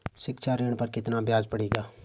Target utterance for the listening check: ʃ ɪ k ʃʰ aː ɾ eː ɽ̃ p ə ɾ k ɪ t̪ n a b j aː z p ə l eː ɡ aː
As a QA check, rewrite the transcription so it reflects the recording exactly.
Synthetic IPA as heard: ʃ ɪ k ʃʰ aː ɾ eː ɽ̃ p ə ɾ k ɪ t̪ n a b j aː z p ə ɽ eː ɡ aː